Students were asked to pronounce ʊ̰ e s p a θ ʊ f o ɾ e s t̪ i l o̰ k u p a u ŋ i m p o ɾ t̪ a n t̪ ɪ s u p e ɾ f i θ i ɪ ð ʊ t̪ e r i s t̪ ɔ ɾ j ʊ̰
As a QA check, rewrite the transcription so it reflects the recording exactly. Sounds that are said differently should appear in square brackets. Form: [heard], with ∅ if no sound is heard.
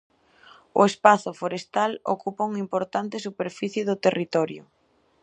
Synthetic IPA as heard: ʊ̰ e s p a θ ʊ f o ɾ e s t̪ [a] l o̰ k u p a u ŋ i m p o ɾ t̪ a n t̪ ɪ s u p e ɾ f i θ [j] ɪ ð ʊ t̪ e r i [∅] t̪ ɔ ɾ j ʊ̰